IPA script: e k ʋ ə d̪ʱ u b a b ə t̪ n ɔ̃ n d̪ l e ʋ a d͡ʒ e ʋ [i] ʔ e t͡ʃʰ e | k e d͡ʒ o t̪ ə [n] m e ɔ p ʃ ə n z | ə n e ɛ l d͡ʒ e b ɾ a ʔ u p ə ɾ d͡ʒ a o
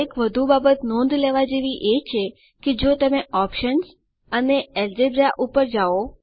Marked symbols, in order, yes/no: yes, no

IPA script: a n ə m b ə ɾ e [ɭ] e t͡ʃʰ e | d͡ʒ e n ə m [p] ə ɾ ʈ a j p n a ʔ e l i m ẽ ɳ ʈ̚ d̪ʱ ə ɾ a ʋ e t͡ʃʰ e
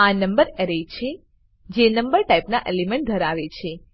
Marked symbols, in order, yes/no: no, no

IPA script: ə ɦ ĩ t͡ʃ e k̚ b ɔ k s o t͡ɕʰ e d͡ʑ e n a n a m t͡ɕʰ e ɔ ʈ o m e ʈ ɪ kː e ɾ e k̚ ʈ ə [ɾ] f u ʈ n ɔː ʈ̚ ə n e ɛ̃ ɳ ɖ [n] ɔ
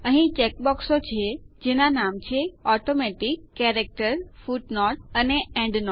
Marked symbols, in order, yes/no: yes, yes

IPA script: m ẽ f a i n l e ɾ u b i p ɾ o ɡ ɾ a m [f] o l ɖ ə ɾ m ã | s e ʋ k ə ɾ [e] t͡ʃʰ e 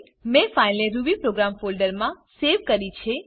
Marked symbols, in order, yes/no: yes, no

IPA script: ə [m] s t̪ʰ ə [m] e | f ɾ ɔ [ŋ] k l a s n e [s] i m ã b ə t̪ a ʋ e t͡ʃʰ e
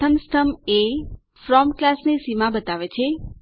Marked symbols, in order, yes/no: yes, yes, no, yes

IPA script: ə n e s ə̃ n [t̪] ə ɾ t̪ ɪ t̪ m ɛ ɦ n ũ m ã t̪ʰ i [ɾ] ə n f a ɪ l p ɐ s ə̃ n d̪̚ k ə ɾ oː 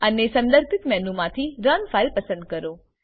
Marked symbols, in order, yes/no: no, yes

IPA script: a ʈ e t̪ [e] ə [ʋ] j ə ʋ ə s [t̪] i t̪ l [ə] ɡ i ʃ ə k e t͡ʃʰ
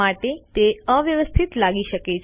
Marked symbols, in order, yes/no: yes, yes, no, no

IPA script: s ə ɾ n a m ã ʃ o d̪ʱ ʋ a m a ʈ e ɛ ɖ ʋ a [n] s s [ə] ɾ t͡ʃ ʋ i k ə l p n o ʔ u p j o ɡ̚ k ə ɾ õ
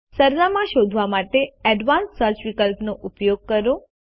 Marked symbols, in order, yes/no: yes, yes

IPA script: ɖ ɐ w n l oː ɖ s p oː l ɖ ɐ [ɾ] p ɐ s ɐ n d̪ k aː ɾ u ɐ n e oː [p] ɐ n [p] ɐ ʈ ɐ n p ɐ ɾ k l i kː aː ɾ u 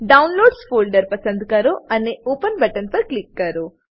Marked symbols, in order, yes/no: yes, yes, no

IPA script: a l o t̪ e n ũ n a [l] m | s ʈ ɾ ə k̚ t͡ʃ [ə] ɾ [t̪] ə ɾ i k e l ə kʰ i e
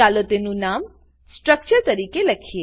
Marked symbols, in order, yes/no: no, yes, yes

